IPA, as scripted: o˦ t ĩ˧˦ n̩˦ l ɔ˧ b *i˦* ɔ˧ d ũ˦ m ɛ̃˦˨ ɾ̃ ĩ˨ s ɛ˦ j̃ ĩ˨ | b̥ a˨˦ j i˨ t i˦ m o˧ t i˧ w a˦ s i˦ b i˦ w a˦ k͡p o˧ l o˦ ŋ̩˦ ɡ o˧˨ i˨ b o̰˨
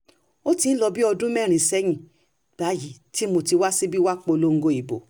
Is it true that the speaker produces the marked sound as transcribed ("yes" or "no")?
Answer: yes